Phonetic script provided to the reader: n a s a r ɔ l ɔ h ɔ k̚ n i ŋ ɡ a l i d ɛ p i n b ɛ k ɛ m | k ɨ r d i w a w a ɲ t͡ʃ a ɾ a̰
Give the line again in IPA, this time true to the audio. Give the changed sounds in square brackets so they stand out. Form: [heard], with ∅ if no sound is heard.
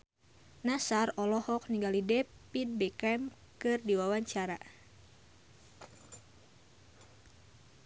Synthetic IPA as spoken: n a s a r ɔ l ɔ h ɔ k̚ n i ŋ ɡ a l i d ɛ p i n b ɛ k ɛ m | k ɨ r d i w a w a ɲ t͡ʃ a ɾ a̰